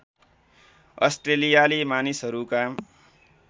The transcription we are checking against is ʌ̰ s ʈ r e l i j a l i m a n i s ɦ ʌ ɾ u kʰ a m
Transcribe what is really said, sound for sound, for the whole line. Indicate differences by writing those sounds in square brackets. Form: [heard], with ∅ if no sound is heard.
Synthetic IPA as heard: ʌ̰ s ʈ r e l i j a l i m a n i s ɦ ʌ ɾ u [k] a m

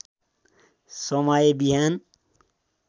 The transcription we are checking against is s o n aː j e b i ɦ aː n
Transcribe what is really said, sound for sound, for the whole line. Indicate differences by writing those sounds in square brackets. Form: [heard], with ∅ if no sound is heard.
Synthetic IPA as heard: s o [m] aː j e b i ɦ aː n

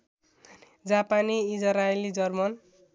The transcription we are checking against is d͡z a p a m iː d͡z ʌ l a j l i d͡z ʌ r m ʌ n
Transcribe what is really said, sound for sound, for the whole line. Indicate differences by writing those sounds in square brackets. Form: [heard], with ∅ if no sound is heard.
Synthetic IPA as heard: d͡z a p a [n] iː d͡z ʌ [ɾ] a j l i d͡z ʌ r m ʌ n

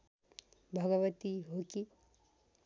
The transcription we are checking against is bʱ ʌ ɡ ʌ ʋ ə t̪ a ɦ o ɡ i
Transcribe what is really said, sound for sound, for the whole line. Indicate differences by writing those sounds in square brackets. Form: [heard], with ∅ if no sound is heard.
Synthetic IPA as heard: bʱ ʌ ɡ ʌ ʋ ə t̪ [i] ɦ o [k] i

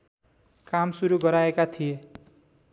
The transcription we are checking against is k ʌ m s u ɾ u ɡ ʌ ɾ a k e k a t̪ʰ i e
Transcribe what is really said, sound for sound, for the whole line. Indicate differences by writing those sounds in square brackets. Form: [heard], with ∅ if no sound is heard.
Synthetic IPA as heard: k [a] m s u ɾ u ɡ ʌ ɾ a [∅] e k a t̪ʰ i e

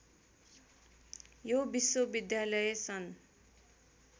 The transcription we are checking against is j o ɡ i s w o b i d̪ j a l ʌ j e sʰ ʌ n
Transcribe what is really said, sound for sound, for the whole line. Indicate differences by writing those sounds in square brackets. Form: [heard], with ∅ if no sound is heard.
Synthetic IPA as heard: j o [b] i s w o b i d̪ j a l ʌ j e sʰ ʌ n

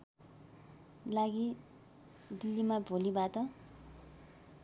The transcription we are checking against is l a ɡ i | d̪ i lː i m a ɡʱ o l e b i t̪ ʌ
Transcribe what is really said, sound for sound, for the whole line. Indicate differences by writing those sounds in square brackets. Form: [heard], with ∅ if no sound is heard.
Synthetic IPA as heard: l a ɡ i | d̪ i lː i m a [bʱ] o l [i] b [a] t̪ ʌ

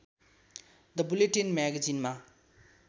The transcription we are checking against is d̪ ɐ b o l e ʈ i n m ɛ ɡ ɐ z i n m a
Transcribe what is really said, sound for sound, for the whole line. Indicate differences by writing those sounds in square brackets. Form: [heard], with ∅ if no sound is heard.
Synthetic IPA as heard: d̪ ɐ b [u] l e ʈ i n m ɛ ɡ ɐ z i n m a

